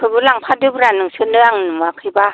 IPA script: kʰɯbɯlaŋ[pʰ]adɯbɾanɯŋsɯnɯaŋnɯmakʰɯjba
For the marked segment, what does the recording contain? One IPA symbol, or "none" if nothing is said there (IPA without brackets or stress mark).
pʰ